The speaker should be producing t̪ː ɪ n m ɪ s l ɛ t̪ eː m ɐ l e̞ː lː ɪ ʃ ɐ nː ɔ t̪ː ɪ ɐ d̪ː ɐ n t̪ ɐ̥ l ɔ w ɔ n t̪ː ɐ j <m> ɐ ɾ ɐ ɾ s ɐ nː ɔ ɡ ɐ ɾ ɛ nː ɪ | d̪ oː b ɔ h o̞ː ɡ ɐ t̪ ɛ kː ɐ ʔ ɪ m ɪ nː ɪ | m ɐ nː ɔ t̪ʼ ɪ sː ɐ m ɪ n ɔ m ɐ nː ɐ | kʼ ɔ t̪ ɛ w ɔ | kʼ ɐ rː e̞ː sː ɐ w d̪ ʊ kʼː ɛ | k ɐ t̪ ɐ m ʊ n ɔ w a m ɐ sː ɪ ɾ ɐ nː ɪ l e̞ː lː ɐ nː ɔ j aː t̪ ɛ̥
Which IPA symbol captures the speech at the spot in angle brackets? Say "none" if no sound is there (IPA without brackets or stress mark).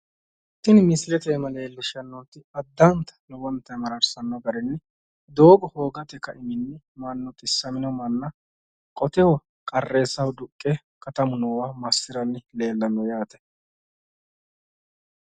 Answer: m